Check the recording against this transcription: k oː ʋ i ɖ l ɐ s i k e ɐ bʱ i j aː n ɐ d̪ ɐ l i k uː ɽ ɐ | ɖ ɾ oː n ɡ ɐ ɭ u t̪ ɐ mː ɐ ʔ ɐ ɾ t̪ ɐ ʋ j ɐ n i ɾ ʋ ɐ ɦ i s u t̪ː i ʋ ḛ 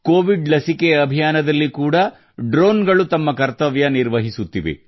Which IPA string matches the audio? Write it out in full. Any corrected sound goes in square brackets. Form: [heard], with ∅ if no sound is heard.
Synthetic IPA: k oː ʋ i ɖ l ɐ s i k e ɐ bʱ i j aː n ɐ d̪ ɐ [lː] i k uː ɽ ɐ | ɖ ɾ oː n ɡ ɐ ɭ u t̪ ɐ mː ɐ [k] ɐ ɾ t̪ ɐ ʋ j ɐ n i ɾ ʋ ɐ ɦ i s u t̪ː i ʋ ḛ